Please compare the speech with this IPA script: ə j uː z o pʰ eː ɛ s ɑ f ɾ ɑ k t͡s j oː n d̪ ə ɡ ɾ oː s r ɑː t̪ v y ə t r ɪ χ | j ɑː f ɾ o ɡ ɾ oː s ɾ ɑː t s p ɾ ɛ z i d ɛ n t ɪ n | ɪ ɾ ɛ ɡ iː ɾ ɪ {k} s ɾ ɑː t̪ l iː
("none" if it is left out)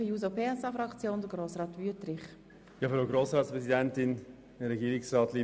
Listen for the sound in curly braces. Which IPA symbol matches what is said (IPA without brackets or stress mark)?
k